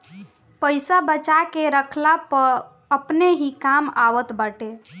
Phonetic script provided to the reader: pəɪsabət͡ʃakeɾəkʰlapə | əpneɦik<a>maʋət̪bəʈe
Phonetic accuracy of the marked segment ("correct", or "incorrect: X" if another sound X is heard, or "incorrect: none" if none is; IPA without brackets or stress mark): correct